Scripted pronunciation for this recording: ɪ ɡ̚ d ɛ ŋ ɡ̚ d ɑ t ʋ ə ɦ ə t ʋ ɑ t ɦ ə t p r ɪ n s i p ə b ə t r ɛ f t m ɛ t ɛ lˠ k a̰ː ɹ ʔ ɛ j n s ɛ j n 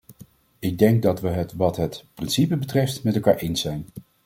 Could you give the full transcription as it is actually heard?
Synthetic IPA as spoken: ɪ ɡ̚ d ɛ ŋ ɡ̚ d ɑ t ʋ ə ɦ ə t ʋ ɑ t ɦ ə t p r ɪ n s i p ə b ə t r ɛ f t m ɛ t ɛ lˠ k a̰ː ɹ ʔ e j n s ɛ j n